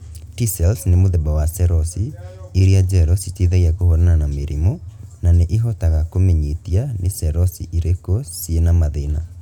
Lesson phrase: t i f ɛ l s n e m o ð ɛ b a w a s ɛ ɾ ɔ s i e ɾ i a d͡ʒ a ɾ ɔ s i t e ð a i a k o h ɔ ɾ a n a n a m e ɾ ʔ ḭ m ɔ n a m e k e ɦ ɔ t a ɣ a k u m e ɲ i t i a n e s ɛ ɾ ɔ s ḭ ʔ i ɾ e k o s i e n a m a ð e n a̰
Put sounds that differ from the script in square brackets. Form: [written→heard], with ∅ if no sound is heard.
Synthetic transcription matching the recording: t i [f→s] ɛ l s n e m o ð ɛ b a w a s ɛ ɾ ɔ s i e ɾ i a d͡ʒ [a→ɛ] ɾ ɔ s i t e ð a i a k o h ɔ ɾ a n a n a m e ɾ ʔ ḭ m ɔ n a [m→n] e [k→ʔ] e ɦ ɔ t a ɣ a k [u→o] m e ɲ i t i a n e s ɛ ɾ ɔ s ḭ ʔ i ɾ e k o s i e n a m a ð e n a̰